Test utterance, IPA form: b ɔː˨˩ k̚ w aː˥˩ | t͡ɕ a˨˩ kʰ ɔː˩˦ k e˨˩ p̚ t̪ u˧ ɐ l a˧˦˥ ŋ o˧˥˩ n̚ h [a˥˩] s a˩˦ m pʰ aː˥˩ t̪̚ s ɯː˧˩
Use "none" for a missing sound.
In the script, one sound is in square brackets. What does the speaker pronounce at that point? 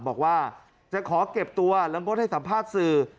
a˥˩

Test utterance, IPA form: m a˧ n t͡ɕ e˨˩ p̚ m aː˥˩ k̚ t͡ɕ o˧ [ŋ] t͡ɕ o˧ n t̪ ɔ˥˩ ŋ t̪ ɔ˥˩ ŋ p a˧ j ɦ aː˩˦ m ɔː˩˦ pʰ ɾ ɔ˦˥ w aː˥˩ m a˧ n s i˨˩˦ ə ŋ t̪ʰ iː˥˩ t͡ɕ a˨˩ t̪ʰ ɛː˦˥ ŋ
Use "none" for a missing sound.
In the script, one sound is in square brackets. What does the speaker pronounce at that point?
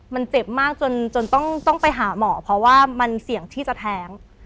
n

